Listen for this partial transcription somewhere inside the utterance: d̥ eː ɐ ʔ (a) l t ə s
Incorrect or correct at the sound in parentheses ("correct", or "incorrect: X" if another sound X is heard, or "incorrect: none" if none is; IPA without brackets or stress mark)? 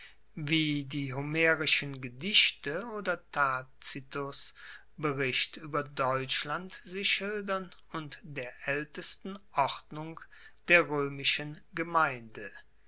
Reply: incorrect: ɛ